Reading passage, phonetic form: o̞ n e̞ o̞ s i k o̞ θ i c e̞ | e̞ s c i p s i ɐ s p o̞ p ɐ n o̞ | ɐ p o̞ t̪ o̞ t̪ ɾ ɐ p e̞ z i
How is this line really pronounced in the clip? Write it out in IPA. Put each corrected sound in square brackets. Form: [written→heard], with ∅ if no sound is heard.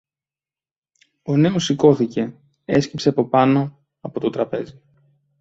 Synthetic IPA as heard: o̞ n e̞ o̞ s i k o̞ θ i c e̞ | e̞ s c i p s [i→e] ɐ [s→∅] p o̞ p ɐ n o̞ | ɐ p o̞ t̪ o̞ t̪ ɾ ɐ p e̞ z i